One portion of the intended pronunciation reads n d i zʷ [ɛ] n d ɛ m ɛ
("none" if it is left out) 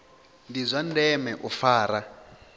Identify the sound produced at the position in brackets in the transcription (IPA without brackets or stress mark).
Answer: a